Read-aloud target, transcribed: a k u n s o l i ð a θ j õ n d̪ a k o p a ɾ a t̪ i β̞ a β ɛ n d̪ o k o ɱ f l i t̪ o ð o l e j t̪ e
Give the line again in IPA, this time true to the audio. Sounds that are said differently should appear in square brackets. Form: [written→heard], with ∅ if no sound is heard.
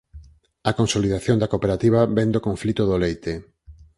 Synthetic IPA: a k [u→o] n s o l i ð a θ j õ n d̪ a k o p [a→e] ɾ a t̪ i β̞ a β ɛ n d̪ o k o ɱ f l i t̪ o ð o l e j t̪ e